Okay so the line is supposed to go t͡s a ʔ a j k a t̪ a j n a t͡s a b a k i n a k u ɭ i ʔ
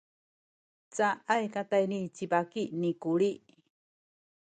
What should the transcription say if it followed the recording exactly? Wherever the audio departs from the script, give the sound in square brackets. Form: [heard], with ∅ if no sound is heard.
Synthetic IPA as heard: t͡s a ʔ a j k a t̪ a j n [i] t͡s [i] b a k i n [i] k u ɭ i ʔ